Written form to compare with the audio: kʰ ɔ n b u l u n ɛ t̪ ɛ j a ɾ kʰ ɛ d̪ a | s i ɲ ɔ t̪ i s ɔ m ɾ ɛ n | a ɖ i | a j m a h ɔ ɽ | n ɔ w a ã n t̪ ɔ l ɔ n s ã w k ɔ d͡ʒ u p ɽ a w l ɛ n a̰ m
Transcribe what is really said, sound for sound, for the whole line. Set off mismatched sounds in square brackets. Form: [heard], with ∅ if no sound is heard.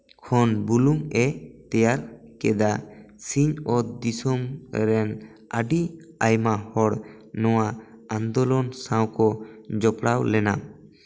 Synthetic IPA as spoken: kʰ ɔ n b u l u [ŋ] ɛ t̪ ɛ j a ɾ [k] ɛ d̪ a | s i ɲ ɔ [d̪] i s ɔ m ɾ ɛ n | a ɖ i | a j m a h ɔ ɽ | n ɔ w a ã n [d̪] ɔ l ɔ n s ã w k ɔ d͡ʒ [ɔ] p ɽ a w l ɛ n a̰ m